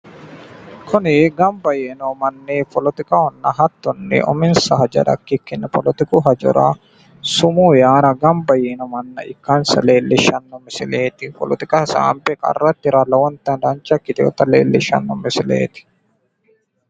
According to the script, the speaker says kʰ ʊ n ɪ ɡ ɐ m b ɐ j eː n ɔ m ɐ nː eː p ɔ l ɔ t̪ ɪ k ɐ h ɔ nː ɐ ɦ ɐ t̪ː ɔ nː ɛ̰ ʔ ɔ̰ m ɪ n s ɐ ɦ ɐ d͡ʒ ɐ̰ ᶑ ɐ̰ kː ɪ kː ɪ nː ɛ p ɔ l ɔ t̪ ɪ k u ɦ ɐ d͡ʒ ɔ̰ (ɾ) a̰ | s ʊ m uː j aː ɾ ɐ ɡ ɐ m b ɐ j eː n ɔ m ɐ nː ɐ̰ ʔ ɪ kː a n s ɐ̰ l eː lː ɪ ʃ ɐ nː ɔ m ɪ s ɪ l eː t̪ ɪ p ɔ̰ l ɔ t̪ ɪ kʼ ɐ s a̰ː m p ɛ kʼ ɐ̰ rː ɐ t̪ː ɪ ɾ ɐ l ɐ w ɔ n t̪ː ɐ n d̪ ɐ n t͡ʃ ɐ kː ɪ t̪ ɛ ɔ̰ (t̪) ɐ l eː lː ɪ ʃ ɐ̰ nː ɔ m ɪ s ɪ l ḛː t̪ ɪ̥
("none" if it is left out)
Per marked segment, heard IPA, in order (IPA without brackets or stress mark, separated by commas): ɾ, t̪